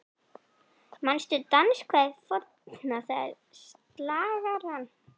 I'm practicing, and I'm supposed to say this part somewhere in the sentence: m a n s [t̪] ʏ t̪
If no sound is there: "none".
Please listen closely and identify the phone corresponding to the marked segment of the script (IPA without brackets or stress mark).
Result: t̪